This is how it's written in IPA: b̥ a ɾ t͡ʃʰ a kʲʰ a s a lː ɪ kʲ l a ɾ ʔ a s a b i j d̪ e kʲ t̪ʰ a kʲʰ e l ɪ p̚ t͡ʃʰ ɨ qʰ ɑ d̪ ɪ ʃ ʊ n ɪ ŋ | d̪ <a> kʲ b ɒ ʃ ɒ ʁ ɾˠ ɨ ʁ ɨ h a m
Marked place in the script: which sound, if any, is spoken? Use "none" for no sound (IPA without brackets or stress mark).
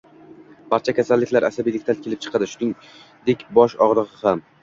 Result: e